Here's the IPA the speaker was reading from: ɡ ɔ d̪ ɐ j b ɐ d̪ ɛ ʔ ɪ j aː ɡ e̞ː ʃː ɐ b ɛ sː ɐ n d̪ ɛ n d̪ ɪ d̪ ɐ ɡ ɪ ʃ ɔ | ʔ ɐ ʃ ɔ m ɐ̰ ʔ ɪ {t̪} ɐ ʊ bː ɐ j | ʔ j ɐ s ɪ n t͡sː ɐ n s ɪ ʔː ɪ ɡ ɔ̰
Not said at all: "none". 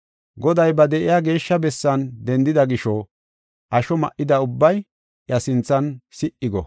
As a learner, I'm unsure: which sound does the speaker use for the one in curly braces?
d̪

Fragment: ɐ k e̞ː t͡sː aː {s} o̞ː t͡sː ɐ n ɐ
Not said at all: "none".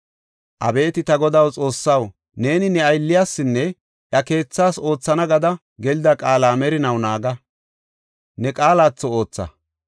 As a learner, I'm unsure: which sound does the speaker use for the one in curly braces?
s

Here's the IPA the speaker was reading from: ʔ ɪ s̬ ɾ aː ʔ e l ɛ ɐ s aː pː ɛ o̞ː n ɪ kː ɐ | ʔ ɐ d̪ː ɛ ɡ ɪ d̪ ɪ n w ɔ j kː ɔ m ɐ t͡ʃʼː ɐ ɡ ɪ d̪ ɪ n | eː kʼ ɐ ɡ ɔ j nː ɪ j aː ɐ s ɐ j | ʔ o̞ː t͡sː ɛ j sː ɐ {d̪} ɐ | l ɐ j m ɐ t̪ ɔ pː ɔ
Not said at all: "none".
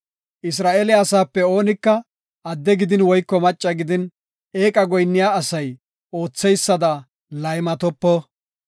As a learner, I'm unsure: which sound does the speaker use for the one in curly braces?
d̪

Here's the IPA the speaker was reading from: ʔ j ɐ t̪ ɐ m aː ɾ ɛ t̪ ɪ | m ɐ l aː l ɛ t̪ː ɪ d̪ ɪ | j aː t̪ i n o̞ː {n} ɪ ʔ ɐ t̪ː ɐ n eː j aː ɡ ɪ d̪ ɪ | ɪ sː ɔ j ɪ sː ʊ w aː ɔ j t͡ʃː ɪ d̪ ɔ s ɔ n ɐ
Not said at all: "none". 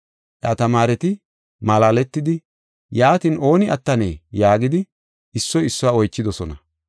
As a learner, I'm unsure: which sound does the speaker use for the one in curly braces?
n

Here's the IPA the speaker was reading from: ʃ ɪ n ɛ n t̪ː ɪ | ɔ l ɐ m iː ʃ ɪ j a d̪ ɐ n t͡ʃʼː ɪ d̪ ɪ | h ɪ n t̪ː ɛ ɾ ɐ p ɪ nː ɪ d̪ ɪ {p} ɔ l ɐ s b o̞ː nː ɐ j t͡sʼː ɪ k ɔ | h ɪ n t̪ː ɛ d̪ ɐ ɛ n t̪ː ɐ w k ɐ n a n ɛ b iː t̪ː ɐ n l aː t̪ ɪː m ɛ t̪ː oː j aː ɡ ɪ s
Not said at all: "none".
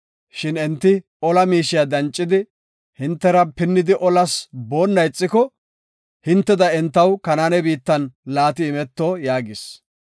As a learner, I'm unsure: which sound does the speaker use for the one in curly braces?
ʔ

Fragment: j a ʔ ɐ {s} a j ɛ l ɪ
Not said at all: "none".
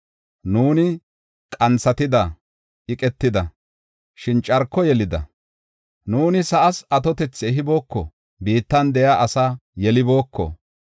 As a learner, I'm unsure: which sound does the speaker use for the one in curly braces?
s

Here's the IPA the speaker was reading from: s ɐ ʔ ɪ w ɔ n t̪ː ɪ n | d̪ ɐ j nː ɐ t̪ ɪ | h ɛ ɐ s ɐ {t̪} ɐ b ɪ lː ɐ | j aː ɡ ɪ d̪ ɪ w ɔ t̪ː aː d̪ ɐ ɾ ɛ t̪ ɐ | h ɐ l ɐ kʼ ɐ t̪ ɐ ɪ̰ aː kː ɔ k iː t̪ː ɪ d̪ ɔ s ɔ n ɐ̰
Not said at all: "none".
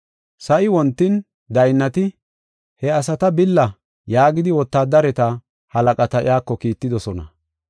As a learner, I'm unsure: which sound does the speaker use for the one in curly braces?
t̪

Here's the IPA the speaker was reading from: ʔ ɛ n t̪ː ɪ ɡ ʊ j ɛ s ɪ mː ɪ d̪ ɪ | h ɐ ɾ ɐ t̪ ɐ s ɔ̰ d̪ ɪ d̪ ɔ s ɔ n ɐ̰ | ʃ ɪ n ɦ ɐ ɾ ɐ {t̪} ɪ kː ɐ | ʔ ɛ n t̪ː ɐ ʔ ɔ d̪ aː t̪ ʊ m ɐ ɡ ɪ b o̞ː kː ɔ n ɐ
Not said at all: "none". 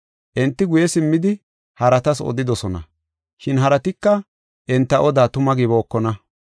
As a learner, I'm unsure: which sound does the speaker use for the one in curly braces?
t̪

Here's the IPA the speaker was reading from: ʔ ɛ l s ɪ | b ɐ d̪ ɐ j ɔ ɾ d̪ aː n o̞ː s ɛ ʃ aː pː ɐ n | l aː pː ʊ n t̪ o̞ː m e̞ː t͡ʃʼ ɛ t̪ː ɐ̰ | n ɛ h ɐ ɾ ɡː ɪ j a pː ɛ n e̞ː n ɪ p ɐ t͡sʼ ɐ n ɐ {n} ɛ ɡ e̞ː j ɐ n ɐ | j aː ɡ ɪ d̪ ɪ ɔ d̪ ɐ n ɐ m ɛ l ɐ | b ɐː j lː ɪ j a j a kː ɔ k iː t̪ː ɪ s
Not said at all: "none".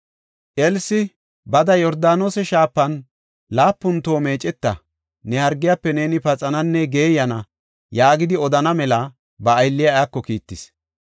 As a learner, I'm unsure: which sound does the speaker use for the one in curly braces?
nː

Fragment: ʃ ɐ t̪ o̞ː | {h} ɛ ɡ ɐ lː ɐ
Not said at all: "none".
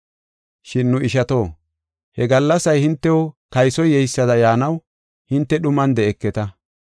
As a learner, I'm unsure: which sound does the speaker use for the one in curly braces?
h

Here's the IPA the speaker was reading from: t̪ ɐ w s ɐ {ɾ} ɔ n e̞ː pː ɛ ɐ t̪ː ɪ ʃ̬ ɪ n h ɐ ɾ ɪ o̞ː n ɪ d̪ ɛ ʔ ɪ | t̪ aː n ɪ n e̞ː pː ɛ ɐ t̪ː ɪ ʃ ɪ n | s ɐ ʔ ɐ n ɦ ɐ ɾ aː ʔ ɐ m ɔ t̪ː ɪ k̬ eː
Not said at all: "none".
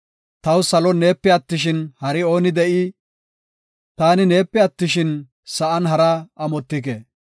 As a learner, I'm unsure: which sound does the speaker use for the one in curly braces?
l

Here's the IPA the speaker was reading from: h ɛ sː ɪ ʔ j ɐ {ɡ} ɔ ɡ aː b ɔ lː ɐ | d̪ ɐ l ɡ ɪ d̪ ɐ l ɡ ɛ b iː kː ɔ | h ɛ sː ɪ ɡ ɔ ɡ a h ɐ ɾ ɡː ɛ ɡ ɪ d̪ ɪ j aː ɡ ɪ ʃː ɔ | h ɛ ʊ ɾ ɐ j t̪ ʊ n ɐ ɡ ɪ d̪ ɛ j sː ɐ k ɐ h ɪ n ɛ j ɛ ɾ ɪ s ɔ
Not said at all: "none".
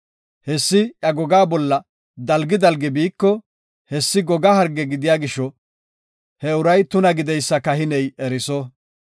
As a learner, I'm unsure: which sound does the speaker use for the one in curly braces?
ɡ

